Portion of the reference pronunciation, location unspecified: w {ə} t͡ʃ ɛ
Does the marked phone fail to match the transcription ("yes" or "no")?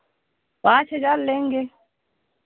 yes